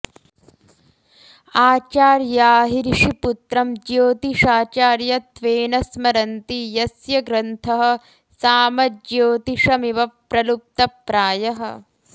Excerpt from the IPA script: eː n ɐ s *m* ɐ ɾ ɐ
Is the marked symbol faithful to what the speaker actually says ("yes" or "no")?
yes